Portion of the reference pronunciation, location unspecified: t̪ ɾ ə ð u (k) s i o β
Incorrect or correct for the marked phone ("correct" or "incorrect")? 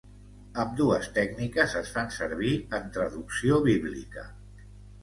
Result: correct